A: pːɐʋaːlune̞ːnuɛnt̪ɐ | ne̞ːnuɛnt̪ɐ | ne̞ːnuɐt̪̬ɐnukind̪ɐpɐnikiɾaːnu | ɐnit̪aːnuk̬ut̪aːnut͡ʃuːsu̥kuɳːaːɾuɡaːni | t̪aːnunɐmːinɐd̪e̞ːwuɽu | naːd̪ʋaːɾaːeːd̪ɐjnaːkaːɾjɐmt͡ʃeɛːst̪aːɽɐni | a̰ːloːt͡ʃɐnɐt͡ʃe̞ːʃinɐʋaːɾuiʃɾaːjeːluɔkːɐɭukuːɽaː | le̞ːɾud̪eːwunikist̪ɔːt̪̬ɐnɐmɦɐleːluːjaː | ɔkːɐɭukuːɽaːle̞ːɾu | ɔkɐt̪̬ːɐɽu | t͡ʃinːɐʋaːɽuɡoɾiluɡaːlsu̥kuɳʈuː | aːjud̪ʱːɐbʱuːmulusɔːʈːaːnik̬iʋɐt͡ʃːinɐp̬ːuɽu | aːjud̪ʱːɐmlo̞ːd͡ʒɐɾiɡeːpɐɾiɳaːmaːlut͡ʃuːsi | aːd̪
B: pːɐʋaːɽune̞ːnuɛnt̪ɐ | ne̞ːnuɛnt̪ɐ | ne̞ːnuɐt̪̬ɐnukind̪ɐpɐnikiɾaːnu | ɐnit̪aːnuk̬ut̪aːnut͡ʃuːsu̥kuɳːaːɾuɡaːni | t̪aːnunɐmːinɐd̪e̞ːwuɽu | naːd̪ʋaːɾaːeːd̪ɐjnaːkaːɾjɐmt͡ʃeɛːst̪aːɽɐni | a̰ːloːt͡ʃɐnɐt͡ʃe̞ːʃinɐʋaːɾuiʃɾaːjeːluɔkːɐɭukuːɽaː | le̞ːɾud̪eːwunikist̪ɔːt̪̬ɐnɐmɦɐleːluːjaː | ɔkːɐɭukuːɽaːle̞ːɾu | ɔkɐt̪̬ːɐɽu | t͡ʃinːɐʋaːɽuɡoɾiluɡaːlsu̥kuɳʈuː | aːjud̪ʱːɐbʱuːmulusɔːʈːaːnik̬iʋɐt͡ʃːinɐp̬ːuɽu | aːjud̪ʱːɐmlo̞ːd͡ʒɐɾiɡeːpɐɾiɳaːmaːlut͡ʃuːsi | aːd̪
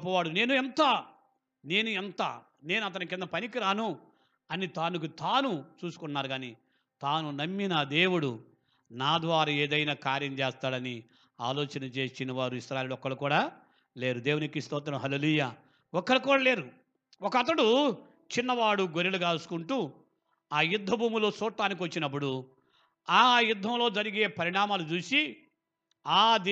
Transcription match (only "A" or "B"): B